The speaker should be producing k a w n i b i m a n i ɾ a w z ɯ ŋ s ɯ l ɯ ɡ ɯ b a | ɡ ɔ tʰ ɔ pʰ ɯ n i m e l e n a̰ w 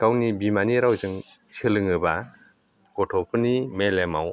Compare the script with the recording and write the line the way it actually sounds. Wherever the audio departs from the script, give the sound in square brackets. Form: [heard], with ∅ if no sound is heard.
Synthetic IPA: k a w n i b i m a n i ɾ a w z ɯ ŋ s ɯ l ɯ [ŋ] ɯ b a | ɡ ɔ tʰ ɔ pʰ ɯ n i m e l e [m] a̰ w

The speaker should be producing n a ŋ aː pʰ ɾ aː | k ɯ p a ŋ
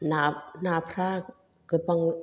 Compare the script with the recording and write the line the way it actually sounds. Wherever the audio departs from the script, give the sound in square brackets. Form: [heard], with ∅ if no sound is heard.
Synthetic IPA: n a [n] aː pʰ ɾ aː | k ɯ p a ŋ

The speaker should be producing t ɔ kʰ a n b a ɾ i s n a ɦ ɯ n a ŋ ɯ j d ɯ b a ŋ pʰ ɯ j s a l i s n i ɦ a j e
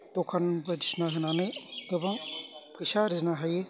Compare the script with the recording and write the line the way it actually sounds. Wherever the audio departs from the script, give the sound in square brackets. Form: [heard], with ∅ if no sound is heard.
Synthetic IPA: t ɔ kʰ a n b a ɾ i s n a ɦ ɯ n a [n] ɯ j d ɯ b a ŋ pʰ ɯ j s a [ɾ] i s n [a] ɦ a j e

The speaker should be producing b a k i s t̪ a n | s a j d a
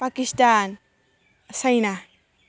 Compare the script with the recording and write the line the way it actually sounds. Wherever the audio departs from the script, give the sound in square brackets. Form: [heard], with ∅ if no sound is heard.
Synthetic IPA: [p] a k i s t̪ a n | s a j [n] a

